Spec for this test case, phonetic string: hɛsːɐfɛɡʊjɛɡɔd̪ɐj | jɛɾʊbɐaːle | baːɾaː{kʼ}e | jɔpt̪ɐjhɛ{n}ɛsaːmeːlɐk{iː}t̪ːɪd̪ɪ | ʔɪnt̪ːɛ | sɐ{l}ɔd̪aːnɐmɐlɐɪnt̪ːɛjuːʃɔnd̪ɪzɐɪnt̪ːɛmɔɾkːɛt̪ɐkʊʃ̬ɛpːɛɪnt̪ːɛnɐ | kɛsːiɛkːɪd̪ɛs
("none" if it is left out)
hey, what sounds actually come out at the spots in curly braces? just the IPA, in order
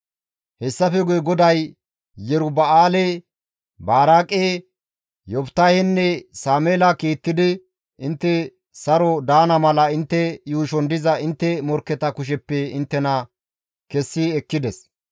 kʼ, nː, iː, ɾ

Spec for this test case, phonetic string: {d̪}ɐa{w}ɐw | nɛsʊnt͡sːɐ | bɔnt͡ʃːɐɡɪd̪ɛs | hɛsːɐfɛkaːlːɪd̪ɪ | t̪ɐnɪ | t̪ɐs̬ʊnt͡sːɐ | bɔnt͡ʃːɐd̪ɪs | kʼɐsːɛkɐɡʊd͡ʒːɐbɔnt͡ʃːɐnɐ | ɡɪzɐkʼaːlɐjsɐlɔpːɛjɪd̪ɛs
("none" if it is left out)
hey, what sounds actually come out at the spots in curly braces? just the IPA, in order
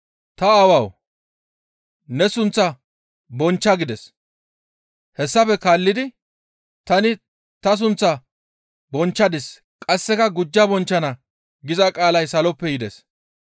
t̪, w

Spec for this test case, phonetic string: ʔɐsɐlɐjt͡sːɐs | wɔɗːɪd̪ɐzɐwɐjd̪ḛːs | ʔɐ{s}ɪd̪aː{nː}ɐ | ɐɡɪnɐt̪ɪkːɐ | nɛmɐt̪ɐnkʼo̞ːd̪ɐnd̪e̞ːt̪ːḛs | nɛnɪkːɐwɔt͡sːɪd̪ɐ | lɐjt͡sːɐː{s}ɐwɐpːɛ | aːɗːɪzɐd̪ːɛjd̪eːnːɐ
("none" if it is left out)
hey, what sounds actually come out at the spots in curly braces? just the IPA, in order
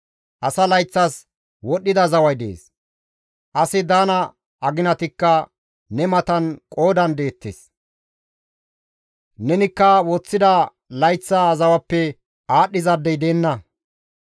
s, n, z

